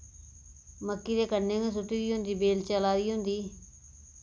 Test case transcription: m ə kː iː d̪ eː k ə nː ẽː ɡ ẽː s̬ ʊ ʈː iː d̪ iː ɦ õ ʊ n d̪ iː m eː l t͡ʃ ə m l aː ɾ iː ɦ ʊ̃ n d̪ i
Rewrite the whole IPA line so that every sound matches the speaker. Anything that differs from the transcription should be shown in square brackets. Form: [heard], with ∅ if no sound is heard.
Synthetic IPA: m ə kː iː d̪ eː k ə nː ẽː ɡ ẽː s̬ ʊ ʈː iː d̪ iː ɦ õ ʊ n d̪ iː [b] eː l t͡ʃ ə [∅] l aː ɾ iː ɦ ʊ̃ n d̪ [iː]

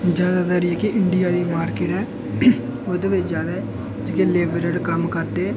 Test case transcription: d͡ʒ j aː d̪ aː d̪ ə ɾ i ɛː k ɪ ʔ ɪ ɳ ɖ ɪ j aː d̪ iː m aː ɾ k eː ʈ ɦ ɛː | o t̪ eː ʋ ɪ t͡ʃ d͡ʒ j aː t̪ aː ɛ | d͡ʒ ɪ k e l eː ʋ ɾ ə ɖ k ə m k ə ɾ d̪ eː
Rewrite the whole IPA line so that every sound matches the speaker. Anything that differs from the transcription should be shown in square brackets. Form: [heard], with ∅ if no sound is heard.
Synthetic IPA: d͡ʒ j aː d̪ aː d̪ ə ɾ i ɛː k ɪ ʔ ɪ ɳ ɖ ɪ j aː d̪ iː m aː ɾ k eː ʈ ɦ ɛː | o [d̪] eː ʋ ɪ t͡ʃ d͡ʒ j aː [d̪] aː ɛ | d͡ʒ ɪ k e l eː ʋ ɾ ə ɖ k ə m k ə ɾ d̪ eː

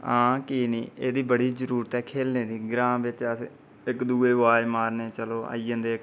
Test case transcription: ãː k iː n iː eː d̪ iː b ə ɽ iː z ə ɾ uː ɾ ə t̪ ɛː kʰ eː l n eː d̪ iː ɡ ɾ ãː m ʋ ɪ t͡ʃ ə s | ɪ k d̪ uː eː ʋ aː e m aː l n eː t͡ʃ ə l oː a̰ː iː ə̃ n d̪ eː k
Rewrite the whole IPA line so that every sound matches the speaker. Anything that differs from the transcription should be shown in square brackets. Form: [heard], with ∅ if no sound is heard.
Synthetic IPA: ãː k iː n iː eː d̪ iː b ə ɽ iː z ə ɾ uː ɾ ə t̪ ɛː kʰ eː l n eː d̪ iː ɡ ɾ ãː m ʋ ɪ t͡ʃ ə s | ɪ k d̪ uː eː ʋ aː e m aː [ɾ] n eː t͡ʃ ə l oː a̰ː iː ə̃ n d̪ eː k

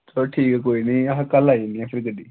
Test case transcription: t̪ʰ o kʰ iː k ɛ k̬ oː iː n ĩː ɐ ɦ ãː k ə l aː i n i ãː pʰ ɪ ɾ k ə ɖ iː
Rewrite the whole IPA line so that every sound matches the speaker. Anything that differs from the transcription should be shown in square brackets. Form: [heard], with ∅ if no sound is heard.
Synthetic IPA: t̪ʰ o [ʈʰ] iː k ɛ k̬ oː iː n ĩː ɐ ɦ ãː k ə l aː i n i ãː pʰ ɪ ɾ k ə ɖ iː

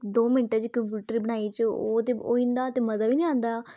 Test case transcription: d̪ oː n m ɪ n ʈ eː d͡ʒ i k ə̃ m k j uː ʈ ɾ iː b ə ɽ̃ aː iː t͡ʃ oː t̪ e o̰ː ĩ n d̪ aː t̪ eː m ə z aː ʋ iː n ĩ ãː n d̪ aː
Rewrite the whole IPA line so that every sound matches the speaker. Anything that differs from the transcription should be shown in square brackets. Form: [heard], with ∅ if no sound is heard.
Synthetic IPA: d̪ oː [∅] m ɪ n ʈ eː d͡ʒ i k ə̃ m [p] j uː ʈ ɾ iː b ə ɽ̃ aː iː t͡ʃ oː t̪ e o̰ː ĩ n d̪ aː t̪ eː m ə z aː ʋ iː n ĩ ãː n d̪ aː

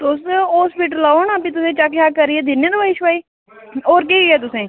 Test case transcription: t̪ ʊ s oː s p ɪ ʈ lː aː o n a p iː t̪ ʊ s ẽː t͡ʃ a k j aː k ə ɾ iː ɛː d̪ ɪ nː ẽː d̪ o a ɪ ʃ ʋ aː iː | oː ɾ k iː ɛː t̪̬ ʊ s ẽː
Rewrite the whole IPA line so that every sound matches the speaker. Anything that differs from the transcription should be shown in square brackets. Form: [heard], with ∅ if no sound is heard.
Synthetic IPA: t̪ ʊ s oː s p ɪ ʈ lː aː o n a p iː t̪ ʊ s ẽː t͡ʃ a k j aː k ə ɾ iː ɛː d̪ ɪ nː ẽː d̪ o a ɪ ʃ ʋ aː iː | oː ɾ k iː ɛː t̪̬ ʊ s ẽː

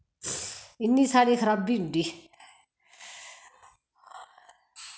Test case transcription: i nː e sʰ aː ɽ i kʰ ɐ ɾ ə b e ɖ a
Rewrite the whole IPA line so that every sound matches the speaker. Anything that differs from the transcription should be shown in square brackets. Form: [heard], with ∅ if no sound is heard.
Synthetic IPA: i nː [i] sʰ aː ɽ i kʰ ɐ ɾ [a] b [i] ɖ [i]

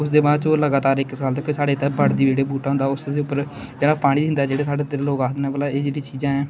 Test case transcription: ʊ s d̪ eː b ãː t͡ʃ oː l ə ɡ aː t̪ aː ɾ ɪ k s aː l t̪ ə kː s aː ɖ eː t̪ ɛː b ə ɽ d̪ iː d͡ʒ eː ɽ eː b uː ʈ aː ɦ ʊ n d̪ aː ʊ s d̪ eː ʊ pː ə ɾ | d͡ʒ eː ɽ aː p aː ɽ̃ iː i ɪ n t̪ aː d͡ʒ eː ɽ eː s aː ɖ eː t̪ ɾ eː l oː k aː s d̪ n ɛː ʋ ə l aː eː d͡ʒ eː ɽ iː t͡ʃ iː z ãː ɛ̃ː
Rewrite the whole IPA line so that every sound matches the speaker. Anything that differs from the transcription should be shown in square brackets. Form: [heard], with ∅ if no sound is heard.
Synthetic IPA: ʊ s d̪ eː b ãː t͡ʃ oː l ə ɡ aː t̪ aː ɾ ɪ k s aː l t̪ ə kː s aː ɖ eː t̪ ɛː b ə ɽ d̪ iː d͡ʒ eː ɽ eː b uː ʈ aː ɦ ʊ n d̪ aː ʊ s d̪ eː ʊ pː ə ɾ | d͡ʒ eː ɽ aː p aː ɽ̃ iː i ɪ n [d̪] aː d͡ʒ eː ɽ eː s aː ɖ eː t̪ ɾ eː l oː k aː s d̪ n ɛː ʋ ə l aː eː d͡ʒ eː ɽ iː t͡ʃ iː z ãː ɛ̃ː

